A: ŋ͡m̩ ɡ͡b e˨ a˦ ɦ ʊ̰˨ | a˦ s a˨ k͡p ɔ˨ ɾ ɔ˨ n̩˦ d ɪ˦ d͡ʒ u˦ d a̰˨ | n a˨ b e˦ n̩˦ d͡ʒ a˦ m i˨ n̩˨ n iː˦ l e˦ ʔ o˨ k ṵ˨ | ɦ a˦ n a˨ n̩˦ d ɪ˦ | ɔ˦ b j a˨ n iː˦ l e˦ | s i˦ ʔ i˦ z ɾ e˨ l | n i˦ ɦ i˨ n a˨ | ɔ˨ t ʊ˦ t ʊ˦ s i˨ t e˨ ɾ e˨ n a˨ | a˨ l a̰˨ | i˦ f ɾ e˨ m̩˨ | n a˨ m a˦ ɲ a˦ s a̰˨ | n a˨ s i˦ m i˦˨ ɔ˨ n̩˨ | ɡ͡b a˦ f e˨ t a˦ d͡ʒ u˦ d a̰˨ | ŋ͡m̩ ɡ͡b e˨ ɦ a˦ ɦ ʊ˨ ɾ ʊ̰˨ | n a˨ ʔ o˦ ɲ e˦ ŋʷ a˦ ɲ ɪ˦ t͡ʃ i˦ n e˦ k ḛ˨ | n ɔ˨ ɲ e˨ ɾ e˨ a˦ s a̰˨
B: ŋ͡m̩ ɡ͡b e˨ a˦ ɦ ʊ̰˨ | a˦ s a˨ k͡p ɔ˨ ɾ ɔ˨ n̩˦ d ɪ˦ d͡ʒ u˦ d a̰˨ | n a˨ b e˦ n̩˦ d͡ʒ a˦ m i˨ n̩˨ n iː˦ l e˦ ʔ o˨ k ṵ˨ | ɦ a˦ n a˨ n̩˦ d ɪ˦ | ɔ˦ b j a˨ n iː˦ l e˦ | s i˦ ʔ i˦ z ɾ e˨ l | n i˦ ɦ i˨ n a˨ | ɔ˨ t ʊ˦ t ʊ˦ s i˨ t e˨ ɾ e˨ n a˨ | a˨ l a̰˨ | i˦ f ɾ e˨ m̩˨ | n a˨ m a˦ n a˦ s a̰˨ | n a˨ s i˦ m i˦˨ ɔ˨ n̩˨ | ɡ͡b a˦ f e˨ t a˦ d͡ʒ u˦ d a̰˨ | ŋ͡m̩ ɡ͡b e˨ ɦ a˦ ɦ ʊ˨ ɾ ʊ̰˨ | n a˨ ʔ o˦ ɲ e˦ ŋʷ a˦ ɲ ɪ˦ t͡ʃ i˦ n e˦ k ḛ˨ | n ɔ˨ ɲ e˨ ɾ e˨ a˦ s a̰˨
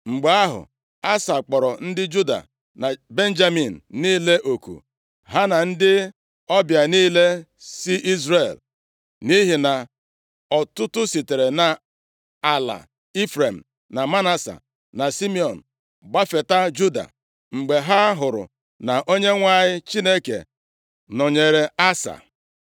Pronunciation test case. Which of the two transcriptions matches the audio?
B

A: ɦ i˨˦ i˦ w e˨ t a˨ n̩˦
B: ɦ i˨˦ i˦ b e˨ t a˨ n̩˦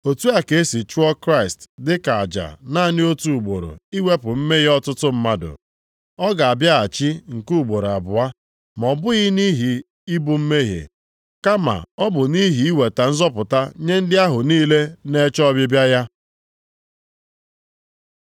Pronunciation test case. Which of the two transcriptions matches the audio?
A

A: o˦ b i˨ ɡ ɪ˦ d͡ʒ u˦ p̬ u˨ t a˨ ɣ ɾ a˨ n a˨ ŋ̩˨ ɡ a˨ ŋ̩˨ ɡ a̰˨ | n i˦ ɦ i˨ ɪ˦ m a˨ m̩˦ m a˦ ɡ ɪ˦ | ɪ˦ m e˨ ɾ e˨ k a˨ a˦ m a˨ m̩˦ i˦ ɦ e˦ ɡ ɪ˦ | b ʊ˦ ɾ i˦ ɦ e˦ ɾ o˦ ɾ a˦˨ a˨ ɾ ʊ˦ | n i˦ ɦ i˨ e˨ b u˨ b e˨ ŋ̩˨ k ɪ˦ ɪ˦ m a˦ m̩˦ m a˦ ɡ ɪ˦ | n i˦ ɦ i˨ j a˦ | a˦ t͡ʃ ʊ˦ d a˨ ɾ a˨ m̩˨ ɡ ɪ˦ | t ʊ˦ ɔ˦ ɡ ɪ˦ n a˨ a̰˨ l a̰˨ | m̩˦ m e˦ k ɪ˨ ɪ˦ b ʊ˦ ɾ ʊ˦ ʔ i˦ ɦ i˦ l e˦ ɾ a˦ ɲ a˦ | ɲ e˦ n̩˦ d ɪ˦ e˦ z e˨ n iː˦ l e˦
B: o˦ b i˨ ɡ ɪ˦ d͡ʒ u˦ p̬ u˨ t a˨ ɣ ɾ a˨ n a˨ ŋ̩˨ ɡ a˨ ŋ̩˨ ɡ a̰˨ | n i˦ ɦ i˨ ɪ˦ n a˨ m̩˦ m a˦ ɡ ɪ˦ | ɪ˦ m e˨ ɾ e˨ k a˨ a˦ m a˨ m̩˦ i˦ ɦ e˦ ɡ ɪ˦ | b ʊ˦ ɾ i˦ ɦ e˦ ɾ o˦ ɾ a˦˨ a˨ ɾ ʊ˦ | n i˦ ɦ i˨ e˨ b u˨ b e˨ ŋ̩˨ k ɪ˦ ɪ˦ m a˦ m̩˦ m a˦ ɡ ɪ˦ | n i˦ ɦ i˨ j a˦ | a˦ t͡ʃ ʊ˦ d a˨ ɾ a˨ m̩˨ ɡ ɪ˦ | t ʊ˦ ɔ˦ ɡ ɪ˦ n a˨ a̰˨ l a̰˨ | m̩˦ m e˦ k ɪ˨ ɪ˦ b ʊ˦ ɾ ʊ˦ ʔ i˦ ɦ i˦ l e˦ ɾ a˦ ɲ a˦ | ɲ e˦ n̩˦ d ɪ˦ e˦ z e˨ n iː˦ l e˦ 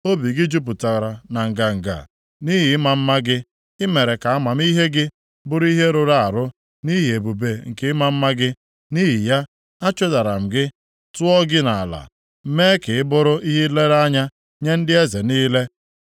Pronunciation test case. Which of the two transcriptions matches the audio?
A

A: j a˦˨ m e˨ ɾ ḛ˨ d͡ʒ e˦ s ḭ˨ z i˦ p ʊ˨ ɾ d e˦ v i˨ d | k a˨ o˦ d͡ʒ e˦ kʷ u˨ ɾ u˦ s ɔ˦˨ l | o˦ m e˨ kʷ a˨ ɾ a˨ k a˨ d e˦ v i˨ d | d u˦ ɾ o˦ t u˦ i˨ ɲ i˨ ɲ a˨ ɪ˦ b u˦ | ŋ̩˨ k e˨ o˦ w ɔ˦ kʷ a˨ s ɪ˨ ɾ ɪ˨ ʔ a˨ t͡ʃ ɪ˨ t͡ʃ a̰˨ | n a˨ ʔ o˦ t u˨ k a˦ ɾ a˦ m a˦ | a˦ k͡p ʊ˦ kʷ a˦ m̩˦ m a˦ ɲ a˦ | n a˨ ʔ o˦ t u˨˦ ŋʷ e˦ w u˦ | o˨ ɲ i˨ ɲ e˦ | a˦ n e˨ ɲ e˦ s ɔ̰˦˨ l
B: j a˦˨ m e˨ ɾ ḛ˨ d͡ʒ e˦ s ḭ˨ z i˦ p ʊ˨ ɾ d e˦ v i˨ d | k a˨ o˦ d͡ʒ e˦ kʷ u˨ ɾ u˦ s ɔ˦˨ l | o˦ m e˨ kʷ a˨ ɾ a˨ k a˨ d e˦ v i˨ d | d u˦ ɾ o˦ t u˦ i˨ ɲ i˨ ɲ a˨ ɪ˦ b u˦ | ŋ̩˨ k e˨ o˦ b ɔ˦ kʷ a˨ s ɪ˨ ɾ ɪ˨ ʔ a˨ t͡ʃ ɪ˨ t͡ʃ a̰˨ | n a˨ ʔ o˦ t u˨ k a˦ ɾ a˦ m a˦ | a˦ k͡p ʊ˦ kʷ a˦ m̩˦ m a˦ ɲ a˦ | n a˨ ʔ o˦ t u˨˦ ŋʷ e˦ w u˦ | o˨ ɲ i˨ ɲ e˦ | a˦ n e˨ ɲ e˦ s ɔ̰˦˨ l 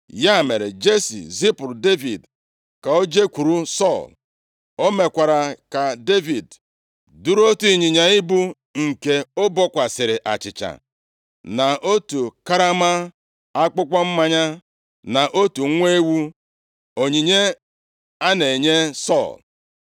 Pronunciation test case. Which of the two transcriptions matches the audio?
B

